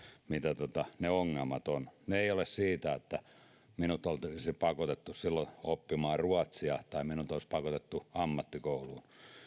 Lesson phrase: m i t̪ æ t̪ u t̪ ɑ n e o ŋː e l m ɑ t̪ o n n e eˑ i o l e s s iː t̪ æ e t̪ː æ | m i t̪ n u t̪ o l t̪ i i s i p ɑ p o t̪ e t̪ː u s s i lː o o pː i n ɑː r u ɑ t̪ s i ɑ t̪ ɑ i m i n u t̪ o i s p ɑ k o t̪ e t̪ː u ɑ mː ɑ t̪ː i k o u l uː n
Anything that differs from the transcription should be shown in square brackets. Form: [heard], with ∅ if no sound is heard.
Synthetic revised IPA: m i t̪ æ t̪ [o] t̪ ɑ n e o ŋː e l m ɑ t̪ o n n e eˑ i o l e s s iː t̪ æ e t̪ː æ | m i [∅] n u t̪ o l t̪ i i s i p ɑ [k] o t̪ e t̪ː u s s i lː o o pː i [m] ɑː r u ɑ t̪ s i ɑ t̪ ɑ i m i n u t̪ o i s p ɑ k o t̪ e t̪ː u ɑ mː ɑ t̪ː i k o u l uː n